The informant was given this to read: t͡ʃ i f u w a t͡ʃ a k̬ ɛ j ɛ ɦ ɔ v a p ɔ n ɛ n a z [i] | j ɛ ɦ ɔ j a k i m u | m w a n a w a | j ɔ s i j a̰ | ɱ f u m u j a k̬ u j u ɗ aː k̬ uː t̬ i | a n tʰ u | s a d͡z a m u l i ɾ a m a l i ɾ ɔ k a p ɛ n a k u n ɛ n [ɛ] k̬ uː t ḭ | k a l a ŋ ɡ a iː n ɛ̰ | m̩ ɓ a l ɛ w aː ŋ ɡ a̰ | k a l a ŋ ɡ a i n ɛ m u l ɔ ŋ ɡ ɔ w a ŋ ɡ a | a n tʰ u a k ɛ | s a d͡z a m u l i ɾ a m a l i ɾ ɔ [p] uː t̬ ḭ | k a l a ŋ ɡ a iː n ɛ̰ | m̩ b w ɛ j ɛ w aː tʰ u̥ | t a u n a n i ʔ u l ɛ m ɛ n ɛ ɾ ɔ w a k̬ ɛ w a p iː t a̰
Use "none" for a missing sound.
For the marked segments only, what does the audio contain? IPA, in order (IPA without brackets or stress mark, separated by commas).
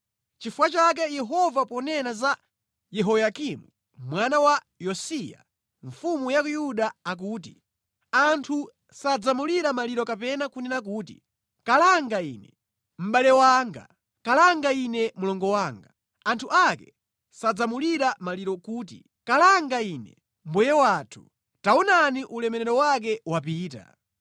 a, a, k